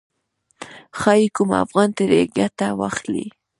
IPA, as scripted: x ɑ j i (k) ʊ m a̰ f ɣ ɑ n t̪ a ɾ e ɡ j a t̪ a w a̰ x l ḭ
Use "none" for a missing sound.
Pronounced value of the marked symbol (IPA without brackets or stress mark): k